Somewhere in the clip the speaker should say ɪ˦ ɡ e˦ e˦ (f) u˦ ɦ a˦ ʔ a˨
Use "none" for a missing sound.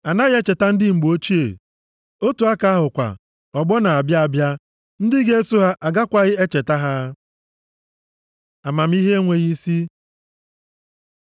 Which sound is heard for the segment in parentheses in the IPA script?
s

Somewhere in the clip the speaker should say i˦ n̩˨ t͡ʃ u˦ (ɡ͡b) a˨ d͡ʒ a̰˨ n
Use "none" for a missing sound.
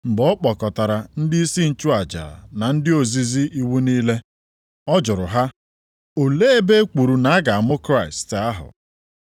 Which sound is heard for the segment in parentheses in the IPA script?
none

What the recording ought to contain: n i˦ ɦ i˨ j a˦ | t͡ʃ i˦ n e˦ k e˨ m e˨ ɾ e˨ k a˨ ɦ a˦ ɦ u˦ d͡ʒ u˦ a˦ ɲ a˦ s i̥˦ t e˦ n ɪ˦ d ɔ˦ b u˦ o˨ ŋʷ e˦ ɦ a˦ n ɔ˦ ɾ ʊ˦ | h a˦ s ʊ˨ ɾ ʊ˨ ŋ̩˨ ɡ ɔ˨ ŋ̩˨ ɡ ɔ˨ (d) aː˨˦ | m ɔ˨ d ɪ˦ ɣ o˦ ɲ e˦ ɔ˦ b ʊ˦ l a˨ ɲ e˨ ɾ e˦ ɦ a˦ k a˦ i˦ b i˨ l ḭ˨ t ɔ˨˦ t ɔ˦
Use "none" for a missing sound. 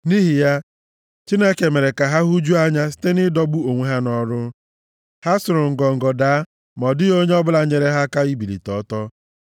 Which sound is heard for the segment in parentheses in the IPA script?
d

